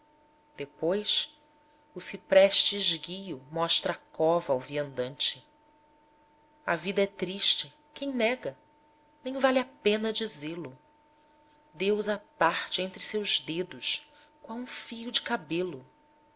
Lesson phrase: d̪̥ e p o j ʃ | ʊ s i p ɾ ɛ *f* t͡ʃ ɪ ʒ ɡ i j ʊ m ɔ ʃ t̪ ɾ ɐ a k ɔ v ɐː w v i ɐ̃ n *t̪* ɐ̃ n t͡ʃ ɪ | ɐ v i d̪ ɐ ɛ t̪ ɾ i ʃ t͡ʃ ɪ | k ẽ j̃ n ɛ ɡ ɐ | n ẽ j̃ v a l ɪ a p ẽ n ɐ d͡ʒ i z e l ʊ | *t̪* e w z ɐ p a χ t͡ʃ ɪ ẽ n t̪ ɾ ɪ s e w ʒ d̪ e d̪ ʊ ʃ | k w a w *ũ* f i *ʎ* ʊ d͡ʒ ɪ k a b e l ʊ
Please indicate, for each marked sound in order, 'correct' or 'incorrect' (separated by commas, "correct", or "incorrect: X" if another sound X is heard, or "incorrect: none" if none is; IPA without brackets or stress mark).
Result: incorrect: ʃ, incorrect: d̪, incorrect: d̪, correct, incorrect: j